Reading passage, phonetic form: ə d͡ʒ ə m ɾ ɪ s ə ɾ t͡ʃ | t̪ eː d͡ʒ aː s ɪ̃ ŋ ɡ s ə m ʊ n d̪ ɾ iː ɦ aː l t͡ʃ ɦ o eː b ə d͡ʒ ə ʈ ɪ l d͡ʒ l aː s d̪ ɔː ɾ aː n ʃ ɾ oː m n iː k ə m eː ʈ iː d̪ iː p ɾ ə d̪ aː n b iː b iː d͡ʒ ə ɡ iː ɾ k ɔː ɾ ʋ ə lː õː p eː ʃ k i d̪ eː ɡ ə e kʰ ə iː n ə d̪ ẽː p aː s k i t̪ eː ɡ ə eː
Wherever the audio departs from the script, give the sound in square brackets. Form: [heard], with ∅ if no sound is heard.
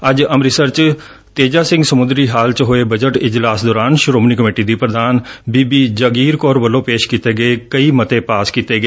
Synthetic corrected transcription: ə d͡ʒ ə m ɾ ɪ s ə ɾ t͡ʃ | t̪ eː d͡ʒ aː s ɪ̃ ŋ ɡ s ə m ʊ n d̪ ɾ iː ɦ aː l t͡ʃ ɦ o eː b ə d͡ʒ ə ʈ ɪ [∅] d͡ʒ l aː s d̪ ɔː ɾ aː n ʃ ɾ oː m n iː k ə m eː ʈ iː d̪ iː p ɾ ə d̪ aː n b iː b iː d͡ʒ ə ɡ iː ɾ k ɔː ɾ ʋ ə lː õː p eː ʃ k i [t̪] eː ɡ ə e [k] ə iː [m] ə [t̪] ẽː p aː s k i t̪ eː ɡ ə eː